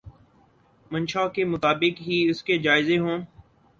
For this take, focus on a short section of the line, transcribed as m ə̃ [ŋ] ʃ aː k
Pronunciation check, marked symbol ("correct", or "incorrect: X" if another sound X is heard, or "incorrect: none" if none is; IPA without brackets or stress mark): incorrect: n